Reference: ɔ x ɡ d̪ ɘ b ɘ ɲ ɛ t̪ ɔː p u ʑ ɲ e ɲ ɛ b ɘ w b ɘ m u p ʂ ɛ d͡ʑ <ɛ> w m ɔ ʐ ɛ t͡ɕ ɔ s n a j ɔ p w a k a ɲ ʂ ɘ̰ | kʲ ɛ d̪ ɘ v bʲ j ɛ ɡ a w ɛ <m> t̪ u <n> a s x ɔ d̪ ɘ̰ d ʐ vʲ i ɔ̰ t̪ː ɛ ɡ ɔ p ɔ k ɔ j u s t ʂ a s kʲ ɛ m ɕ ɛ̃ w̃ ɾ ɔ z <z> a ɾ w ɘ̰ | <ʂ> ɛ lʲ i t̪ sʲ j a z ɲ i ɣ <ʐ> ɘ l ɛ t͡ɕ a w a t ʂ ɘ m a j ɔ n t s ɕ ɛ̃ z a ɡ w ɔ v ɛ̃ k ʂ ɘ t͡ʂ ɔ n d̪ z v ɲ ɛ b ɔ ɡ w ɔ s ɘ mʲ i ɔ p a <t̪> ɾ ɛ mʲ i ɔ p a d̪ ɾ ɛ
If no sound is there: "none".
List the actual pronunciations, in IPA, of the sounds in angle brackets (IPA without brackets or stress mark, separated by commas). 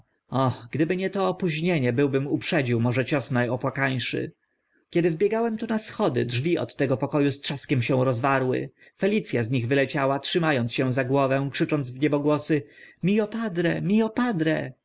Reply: i, m, n, v, f, v, d̪